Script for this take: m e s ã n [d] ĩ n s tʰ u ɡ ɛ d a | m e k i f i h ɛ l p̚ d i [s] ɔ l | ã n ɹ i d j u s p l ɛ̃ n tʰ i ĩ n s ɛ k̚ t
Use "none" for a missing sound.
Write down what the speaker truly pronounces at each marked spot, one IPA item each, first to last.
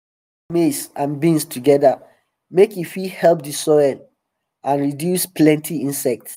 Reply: b, s

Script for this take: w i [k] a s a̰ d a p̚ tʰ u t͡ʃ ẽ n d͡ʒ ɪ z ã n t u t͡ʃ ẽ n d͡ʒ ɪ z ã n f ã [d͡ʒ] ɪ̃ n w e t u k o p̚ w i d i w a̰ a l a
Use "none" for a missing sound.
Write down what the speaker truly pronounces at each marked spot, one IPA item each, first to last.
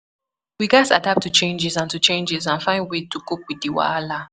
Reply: ɡ, none

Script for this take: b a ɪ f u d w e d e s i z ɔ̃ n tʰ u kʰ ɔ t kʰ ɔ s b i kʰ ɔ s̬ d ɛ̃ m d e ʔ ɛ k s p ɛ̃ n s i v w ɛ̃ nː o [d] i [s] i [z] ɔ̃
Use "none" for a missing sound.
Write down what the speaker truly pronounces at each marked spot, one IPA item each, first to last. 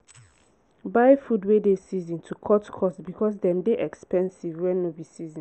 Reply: b, s, z

